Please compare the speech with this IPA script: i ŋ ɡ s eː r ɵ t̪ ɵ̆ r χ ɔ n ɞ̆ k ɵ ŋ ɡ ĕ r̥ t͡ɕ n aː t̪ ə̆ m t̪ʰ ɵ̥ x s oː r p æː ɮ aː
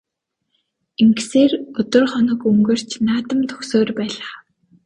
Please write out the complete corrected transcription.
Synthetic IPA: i ŋ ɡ s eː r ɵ t̪ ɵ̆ r χ ɔ n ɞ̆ k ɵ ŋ ɡ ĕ r̥ t͡ɕ n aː t̪ ə̆ m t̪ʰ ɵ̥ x s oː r p æː ɮ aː